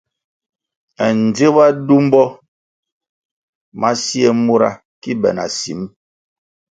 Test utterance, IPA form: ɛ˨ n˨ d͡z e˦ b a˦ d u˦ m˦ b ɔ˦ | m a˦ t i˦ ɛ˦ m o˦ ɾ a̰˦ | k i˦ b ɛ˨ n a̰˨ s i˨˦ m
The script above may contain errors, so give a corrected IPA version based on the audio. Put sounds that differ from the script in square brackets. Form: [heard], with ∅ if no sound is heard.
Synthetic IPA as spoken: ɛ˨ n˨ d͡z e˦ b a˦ d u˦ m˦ b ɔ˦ | m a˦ [s] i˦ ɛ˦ m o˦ ɾ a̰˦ | k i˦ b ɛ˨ n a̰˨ s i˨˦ m